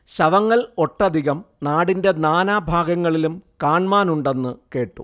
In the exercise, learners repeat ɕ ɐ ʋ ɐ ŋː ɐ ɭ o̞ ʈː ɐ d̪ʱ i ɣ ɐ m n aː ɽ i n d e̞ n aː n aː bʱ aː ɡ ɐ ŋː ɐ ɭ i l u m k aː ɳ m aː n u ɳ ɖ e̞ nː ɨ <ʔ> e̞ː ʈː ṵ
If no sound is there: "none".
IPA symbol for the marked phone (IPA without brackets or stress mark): k